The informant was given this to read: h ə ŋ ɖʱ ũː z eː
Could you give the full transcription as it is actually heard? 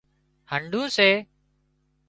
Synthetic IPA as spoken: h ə ɳ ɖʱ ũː s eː